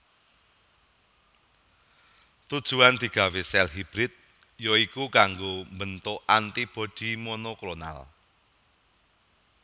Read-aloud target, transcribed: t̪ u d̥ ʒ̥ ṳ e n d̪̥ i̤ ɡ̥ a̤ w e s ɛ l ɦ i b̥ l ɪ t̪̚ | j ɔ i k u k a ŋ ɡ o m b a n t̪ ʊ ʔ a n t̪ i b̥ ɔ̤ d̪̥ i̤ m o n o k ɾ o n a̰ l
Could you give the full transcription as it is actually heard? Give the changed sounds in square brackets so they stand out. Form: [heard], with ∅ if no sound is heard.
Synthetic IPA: t̪ u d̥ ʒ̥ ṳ [a] n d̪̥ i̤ ɡ̥ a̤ w e s ɛ l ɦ i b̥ [ɾ] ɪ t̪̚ | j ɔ i k u k a ŋ ɡ o m b [ə] n t̪ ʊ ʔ a n t̪ i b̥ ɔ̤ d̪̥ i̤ m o n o k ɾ o n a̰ l